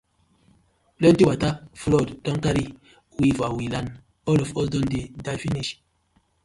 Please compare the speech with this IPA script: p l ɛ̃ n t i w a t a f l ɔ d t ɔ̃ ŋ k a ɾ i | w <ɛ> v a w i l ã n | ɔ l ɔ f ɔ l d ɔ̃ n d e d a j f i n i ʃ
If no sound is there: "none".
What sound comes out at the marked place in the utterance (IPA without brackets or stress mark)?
i